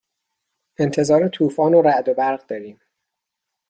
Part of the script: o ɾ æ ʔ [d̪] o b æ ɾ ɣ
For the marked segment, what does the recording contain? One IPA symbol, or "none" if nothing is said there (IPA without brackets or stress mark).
d̪